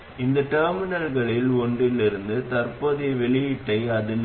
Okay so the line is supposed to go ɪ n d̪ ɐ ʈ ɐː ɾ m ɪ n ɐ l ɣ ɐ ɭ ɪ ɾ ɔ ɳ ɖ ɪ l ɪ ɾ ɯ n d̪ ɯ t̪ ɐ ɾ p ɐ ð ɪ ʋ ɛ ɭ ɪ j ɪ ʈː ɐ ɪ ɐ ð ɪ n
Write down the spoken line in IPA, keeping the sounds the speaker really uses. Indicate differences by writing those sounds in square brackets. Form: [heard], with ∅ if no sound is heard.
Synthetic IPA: ɪ n d̪ ɐ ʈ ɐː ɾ m ɪ n ɐ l ɣ ɐ ɭ ɪ [l] ɔ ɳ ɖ ɪ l ɪ ɾ ɯ n d̪ ɯ t̪ ɐ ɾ p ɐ ð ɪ ʋ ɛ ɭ ɪ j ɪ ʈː ɐ ɪ ɐ ð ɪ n